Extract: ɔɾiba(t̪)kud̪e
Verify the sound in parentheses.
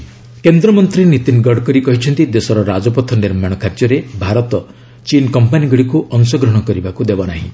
incorrect: none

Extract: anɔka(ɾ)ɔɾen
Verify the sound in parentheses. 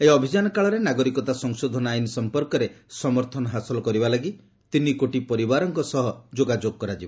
incorrect: ɭ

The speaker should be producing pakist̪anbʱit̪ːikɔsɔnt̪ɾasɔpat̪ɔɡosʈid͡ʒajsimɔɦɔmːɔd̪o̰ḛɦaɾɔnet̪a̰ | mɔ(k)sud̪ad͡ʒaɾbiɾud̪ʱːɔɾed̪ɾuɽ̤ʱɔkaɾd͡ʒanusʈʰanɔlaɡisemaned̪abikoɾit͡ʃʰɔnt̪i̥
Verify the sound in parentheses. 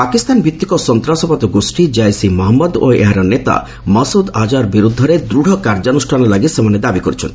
incorrect: none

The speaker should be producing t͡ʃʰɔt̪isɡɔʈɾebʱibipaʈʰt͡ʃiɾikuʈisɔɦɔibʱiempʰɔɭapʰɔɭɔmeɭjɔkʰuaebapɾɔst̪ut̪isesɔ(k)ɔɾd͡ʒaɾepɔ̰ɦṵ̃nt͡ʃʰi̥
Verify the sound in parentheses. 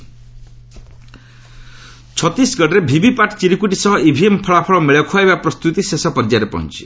incorrect: p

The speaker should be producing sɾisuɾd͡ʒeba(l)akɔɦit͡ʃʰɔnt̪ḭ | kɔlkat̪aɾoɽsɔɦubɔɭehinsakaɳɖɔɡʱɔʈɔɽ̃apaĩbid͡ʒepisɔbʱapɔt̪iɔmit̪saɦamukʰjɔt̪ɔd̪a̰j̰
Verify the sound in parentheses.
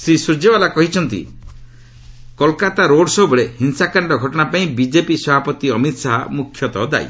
correct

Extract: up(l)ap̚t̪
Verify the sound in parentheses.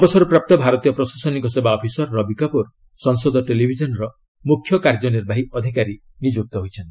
incorrect: ɾ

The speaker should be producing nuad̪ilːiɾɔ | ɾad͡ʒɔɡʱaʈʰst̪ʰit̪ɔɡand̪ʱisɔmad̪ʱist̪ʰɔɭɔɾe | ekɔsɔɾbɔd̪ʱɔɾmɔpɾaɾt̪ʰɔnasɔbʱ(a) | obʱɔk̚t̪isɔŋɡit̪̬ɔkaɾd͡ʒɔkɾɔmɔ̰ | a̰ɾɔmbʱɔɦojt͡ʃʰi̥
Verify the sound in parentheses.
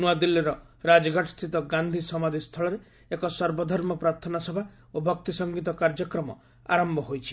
correct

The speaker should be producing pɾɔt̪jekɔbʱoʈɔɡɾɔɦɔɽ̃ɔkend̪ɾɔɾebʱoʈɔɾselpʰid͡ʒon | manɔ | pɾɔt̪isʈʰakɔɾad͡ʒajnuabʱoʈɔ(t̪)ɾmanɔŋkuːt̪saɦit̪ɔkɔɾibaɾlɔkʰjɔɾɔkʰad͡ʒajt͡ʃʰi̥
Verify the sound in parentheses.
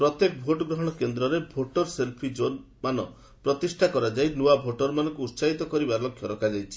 incorrect: none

